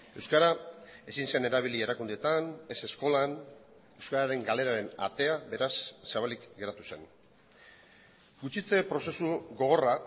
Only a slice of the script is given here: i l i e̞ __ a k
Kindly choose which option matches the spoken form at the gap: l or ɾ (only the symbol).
ɾ